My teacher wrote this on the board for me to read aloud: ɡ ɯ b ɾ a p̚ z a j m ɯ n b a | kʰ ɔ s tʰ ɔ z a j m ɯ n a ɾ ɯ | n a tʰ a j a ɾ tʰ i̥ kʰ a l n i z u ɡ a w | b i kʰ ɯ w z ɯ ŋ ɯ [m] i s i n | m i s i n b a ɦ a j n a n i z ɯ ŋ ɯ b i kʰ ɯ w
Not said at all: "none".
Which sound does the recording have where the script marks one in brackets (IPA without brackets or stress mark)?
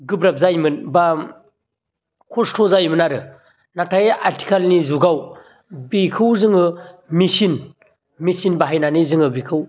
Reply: m